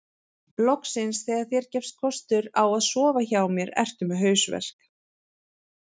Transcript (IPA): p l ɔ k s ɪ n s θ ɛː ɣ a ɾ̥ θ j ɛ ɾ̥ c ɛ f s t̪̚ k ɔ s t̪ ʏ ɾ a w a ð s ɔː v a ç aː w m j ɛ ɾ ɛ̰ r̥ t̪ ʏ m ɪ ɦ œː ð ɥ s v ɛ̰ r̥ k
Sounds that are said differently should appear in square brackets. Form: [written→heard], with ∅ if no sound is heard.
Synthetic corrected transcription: p l ɔ k s ɪ n s θ ɛː ɣ a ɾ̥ θ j ɛ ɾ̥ c ɛ f s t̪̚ [k→kʰ] ɔ s t̪ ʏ ɾ a w a ð s ɔː v a ç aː w m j ɛ ɾ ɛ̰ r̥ t̪ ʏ m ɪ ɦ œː [ð→∅] ɥ s v ɛ̰ r̥ k

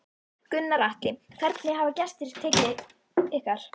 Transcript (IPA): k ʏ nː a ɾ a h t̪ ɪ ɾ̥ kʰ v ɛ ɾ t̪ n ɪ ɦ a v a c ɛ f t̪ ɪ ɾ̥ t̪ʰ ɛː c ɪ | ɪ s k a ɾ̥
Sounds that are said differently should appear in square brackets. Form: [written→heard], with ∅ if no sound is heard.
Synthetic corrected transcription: k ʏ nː a ɾ a h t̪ ɪ [ɾ̥→∅] kʰ v ɛ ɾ t̪ n ɪ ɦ a v a c ɛ [f→s] t̪ ɪ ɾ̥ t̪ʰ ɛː c ɪ | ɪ [s→h] k a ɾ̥

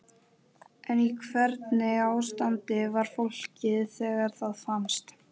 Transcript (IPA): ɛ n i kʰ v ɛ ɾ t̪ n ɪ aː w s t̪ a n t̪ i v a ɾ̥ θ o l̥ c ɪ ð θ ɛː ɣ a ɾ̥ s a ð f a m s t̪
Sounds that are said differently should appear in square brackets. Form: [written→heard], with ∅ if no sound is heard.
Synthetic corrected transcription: ɛ n i kʰ v ɛ ɾ t̪ n ɪ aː w s t̪ a n t̪ [i→ɪ] v a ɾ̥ [θ→f] o l̥ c ɪ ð θ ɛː ɣ a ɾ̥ [s→θ] a ð f a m s t̪

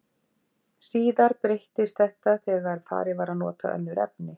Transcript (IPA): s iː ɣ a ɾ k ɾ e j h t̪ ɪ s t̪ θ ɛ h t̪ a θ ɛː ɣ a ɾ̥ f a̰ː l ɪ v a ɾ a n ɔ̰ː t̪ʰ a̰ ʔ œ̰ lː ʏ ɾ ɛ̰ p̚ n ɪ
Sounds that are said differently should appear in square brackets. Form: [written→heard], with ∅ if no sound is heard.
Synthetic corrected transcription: s iː [ɣ→ð] a ɾ [k→p] ɾ e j h t̪ ɪ s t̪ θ ɛ h t̪ a θ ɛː ɣ a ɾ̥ f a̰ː [l→ɾ] ɪ v a ɾ a n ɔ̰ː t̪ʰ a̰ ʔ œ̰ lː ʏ ɾ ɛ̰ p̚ n ɪ

